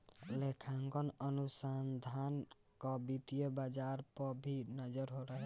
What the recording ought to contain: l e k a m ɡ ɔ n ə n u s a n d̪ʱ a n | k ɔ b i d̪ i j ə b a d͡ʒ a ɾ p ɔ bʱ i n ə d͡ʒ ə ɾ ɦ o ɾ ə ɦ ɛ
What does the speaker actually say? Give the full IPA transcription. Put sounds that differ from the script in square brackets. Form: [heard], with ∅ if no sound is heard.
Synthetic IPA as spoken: l e [kʰ] a [ŋ] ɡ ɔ n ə n u s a n d̪ʱ a n | k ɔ b i [t̪] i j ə b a d͡ʒ a ɾ p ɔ bʱ i n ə d͡ʒ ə ɾ ɦ o ɾ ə ɦ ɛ